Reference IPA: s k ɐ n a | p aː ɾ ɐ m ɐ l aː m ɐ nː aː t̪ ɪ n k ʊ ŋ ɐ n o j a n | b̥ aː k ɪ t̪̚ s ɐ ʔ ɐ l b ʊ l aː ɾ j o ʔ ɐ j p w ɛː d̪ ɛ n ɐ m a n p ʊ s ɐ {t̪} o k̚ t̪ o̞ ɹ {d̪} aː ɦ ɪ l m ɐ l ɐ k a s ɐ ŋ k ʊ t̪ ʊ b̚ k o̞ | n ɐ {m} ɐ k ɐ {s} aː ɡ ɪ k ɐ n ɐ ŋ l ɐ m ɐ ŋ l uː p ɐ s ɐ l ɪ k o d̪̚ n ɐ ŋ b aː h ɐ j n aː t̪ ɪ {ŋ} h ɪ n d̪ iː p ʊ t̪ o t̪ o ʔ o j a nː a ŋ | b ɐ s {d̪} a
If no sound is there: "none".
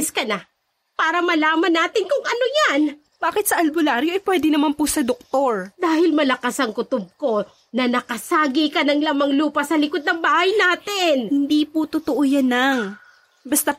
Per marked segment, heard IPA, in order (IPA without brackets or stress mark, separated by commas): d̪, d̪, n, s, n, t̪